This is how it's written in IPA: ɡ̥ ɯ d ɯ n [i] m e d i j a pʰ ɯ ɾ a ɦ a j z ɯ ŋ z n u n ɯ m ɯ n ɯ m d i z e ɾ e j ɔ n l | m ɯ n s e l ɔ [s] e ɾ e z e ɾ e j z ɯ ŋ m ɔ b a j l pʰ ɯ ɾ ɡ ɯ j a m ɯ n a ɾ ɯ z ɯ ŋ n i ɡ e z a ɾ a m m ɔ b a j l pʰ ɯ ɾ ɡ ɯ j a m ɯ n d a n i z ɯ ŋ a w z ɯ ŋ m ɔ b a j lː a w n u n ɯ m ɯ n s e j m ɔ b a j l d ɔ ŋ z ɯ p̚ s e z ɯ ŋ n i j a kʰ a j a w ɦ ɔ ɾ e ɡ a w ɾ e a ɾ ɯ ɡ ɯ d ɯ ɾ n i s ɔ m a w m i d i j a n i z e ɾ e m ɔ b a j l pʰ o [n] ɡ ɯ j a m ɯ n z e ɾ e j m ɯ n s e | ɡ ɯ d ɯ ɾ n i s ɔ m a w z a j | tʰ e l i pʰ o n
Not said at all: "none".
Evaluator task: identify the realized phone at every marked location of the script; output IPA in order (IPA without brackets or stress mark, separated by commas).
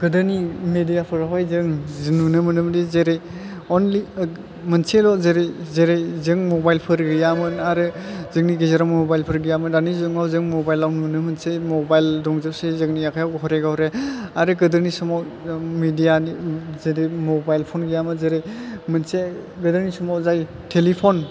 i, z, n